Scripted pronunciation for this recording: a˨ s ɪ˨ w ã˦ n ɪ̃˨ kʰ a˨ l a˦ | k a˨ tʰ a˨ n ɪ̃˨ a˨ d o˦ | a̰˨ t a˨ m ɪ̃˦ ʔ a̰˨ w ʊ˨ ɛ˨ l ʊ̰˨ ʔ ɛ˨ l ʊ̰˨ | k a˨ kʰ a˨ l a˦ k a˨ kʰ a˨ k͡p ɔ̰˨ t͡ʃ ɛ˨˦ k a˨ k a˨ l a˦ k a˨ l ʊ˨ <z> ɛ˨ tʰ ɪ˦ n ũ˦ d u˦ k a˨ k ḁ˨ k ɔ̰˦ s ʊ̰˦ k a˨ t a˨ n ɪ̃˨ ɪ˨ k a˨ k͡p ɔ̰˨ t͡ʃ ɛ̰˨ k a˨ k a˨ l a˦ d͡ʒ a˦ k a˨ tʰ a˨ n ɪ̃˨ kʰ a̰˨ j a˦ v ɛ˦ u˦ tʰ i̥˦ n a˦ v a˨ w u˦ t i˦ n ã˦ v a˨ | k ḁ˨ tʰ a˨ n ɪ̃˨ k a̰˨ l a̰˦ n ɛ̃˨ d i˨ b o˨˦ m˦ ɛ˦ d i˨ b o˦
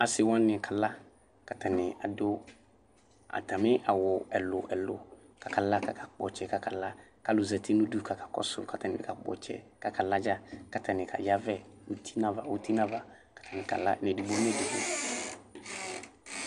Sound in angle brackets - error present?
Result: no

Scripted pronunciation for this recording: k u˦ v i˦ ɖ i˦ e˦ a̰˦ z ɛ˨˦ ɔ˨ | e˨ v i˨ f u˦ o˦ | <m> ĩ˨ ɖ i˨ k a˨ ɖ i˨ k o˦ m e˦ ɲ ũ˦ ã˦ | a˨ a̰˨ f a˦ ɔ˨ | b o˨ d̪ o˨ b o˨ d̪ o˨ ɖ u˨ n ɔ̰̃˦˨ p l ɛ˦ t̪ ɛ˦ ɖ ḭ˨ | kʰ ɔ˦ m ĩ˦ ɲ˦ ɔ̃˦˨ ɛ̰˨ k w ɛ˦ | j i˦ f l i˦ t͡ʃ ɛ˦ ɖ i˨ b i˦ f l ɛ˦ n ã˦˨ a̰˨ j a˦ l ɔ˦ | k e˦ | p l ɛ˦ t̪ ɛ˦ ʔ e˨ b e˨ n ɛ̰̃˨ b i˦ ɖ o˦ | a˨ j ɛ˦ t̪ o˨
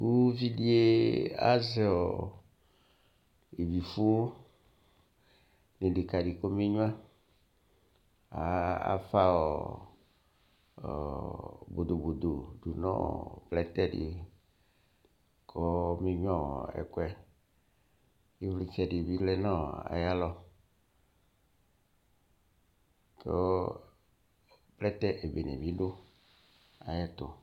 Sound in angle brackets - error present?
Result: yes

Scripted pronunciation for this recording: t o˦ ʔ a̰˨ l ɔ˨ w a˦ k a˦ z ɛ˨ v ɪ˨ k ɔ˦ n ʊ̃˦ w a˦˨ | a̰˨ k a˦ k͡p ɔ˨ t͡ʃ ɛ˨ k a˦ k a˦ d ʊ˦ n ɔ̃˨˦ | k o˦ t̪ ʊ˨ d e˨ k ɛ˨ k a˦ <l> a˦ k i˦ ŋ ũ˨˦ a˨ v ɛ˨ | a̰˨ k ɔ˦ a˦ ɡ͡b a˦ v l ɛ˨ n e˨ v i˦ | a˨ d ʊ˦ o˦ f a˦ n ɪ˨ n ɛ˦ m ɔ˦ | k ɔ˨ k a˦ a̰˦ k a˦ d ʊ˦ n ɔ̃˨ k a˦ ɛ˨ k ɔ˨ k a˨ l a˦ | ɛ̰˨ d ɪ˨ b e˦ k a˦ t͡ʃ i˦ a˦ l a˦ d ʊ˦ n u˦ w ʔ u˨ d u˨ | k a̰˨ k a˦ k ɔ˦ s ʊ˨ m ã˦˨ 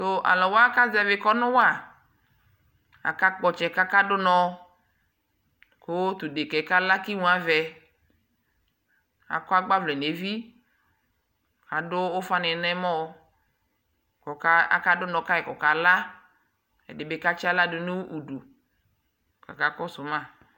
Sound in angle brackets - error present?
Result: no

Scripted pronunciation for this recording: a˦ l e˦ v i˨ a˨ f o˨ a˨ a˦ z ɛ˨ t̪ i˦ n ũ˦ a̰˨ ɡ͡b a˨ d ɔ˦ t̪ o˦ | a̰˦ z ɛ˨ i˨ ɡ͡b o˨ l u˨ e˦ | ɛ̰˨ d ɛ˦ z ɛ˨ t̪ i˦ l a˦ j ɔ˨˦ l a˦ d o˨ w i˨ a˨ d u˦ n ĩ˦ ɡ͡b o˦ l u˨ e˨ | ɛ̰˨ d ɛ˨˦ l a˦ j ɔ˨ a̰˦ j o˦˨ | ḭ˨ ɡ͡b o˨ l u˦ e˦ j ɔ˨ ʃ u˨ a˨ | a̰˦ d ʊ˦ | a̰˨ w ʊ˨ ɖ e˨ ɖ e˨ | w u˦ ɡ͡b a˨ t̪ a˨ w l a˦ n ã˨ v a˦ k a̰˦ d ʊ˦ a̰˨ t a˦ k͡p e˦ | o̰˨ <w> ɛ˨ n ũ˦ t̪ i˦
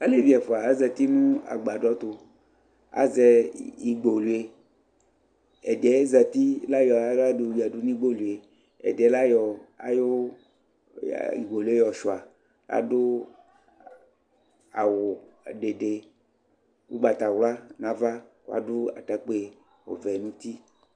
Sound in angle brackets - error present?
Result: yes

